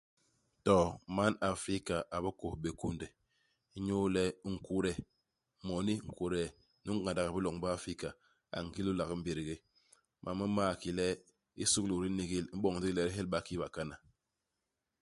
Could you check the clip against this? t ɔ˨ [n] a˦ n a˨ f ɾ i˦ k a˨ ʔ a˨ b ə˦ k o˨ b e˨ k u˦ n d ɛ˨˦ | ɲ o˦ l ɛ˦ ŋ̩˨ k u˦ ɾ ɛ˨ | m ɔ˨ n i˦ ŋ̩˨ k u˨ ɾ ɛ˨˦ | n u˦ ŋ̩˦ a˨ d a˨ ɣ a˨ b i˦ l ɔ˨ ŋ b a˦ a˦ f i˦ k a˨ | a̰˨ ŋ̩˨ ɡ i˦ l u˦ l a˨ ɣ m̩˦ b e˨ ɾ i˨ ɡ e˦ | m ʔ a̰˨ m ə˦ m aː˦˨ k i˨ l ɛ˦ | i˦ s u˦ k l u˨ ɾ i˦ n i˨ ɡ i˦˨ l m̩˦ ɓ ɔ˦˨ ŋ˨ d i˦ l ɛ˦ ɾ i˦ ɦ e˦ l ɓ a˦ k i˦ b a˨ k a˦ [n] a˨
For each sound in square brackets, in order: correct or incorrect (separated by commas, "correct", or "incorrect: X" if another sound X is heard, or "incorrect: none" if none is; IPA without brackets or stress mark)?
incorrect: m, correct